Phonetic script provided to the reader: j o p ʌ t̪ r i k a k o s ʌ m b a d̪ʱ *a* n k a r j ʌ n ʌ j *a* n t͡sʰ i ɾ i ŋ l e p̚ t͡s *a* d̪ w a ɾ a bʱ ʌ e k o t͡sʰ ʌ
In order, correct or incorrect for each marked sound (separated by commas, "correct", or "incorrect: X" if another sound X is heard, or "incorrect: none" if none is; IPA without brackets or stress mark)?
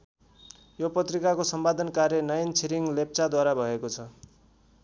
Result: incorrect: ʌ, incorrect: ʌ, correct